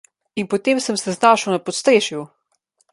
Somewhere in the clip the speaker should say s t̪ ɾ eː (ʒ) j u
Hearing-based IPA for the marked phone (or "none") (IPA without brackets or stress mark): ʃ